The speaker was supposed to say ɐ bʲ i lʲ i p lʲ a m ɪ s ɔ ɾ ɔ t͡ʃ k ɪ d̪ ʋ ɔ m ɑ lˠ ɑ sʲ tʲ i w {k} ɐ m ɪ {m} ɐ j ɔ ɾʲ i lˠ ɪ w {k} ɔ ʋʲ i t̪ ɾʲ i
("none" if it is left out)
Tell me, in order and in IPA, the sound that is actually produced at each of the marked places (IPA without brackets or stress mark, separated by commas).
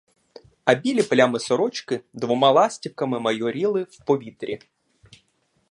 k, m, p